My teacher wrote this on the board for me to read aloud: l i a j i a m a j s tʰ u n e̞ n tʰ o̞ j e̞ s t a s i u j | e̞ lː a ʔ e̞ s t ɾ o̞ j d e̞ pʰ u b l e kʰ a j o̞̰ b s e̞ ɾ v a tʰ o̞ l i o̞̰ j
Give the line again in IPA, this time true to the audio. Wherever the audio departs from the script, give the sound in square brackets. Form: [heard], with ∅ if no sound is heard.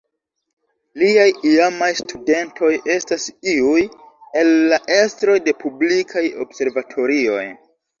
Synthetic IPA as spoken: l i a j i a m a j s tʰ u [d] e̞ n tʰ o̞ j e̞ s t a s i u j | e̞ lː a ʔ e̞ s t ɾ o̞ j d e̞ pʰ u b l [i] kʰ a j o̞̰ b s e̞ ɾ v a tʰ o̞ [ɾ] i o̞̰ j